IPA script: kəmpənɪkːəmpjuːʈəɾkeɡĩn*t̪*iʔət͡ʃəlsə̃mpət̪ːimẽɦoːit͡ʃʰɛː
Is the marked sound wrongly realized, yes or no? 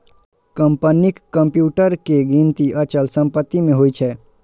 no